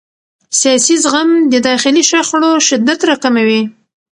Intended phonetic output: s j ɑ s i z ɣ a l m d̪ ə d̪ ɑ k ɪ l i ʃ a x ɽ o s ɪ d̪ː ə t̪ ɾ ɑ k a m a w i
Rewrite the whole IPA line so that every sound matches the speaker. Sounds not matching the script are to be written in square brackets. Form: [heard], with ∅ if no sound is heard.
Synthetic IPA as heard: s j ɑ s i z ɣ a [∅] m d̪ ə d̪ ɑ [x] ɪ l i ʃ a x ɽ o [ʃ] ɪ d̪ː [a] t̪ ɾ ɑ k a m a w i